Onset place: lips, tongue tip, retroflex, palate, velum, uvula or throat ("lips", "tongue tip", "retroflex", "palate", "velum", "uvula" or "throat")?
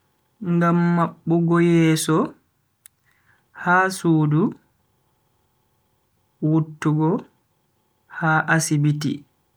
velum